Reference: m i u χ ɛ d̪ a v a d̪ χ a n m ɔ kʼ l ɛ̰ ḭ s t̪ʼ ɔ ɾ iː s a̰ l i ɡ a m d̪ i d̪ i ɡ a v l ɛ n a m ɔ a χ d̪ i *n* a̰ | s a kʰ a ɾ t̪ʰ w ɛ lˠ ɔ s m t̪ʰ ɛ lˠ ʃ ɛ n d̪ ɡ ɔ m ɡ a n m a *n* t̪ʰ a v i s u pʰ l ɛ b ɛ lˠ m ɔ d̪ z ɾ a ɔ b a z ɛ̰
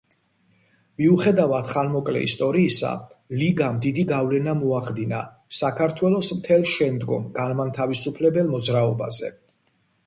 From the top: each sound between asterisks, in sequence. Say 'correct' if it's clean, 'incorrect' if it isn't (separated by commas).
correct, correct